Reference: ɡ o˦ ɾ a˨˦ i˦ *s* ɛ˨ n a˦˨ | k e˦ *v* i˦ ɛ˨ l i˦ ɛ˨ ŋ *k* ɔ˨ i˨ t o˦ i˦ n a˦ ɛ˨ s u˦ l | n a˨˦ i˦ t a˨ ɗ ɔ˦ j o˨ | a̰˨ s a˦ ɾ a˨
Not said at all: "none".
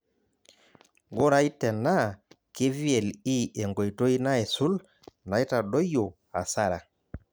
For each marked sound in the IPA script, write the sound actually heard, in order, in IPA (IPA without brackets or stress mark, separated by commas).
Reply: t, v, ɡ